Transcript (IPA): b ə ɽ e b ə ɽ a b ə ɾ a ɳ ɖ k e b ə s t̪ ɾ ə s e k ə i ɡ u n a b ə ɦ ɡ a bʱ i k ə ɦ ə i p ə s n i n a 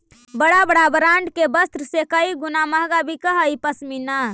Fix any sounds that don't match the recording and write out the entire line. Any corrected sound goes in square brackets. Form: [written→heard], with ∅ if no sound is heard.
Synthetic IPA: b ə ɽ [e→a] b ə ɽ a b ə ɾ a ɳ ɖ k e b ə s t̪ ɾ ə s e k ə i ɡ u n a [b→m] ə ɦ ɡ a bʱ i k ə ɦ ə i p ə s [n→m] i n a